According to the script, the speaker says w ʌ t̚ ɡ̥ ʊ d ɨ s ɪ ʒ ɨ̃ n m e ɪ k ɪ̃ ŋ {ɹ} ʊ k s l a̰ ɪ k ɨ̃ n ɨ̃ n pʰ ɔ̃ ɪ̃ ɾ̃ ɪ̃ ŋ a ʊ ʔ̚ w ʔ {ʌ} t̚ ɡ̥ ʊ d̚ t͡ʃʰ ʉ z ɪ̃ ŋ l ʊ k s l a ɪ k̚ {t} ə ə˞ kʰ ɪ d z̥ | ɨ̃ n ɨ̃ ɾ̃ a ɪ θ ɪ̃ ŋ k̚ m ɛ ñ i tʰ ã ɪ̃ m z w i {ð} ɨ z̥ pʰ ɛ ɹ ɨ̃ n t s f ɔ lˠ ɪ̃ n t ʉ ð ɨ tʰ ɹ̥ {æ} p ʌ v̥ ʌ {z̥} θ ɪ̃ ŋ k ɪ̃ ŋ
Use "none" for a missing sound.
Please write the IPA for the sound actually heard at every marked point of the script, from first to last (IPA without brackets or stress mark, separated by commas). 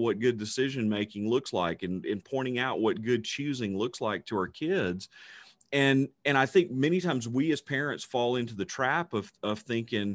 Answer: l, ʌ, tʰ, none, æ, v̥